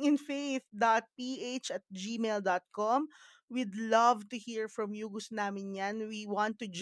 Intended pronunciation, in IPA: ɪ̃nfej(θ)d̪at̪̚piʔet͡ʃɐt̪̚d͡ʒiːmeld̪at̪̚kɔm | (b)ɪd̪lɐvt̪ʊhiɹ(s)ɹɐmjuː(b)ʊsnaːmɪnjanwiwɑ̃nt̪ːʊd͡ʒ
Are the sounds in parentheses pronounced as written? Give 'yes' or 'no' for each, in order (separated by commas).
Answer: yes, no, no, no